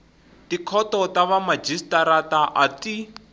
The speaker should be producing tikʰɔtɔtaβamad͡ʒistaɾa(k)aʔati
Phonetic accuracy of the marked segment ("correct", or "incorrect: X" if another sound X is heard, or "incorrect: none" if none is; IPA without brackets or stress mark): incorrect: t